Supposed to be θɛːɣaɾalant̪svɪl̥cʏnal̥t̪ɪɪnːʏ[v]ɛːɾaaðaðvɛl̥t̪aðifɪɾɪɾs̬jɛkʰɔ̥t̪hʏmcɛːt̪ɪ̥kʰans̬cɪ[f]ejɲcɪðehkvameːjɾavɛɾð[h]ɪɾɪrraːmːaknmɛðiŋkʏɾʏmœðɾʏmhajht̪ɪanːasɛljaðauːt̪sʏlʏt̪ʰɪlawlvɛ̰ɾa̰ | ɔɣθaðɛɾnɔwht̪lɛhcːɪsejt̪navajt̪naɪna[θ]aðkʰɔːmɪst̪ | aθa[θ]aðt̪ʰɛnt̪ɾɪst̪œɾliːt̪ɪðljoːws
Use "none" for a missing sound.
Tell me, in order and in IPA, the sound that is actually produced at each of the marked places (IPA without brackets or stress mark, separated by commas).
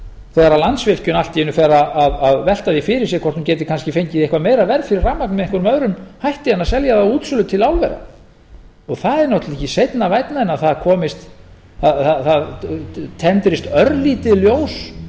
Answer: f, f, f, θ, θ